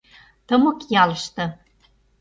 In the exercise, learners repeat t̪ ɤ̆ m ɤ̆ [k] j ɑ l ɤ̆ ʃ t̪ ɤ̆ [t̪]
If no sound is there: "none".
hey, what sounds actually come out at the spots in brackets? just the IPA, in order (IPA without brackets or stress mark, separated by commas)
k, none